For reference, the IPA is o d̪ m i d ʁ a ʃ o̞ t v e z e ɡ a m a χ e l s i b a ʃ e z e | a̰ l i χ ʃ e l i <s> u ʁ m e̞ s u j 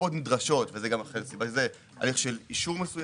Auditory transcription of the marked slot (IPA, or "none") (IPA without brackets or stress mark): ʃ